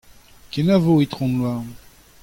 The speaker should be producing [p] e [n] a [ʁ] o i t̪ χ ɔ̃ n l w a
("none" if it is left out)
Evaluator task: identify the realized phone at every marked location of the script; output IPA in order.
k, n, v

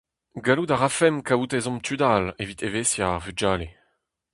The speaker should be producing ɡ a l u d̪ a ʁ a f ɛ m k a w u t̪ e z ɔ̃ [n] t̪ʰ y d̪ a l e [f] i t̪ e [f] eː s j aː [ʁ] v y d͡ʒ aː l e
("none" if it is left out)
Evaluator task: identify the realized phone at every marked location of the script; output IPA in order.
m, v, v, ʁ

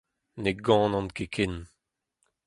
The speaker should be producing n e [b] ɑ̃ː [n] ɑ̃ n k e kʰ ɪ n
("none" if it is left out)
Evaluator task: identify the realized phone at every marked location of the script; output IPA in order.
ɡ, n

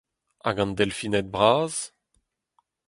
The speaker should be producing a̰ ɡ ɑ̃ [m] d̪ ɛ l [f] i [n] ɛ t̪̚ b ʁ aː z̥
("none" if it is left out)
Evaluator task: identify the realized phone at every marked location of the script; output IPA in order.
n, f, n

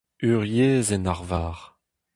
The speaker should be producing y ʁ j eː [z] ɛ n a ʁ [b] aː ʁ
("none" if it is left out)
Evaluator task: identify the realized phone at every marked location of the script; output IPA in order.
z, v

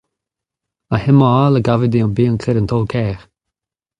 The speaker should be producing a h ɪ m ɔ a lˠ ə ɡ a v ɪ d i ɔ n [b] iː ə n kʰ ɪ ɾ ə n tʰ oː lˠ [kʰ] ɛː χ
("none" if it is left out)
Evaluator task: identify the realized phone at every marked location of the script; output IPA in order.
b, kʰ

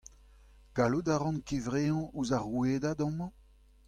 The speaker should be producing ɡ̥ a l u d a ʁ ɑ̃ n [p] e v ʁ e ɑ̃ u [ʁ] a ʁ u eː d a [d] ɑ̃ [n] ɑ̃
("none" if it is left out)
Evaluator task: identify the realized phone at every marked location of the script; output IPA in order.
k, z, d, m

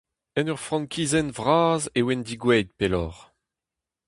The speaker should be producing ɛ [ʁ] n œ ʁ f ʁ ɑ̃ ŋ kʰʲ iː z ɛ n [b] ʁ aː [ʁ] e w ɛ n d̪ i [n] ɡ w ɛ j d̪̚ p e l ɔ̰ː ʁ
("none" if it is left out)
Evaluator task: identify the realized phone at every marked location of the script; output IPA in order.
none, v, z, none

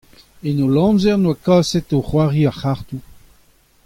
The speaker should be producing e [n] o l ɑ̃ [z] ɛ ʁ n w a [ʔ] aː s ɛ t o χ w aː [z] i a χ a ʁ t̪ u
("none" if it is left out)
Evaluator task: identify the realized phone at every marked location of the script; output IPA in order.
n, z, k, ʁ

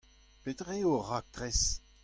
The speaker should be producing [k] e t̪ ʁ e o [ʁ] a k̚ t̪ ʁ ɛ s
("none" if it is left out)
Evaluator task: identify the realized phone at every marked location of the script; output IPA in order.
p, ʁ

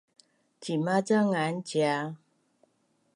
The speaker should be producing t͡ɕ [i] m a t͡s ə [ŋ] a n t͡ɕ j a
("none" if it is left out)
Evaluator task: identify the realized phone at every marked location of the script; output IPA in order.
i, ŋ

